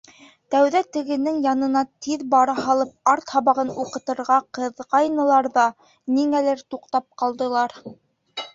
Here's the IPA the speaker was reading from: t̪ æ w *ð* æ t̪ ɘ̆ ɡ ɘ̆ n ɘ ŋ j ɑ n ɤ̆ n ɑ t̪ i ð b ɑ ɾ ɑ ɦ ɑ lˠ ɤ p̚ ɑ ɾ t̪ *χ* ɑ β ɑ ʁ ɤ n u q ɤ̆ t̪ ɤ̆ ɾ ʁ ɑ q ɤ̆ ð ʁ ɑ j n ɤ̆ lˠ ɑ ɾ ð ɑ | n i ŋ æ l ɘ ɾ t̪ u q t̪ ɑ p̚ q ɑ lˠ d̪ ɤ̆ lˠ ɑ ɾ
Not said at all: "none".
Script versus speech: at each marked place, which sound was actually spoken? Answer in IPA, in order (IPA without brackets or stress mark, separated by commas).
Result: ð, h